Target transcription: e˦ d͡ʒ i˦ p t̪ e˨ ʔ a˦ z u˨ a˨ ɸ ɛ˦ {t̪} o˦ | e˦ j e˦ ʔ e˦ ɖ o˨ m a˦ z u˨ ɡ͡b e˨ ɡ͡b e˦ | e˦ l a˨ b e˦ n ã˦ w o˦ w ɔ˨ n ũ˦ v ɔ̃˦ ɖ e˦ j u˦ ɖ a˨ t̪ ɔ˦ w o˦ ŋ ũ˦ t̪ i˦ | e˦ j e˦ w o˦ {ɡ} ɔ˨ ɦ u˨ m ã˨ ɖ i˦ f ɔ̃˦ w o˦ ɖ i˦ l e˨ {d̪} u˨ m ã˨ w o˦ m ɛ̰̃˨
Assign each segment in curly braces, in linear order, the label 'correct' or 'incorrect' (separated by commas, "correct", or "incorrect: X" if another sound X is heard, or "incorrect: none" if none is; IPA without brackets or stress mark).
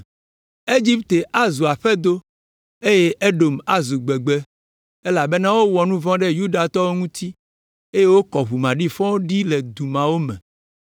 incorrect: d̪, incorrect: k, correct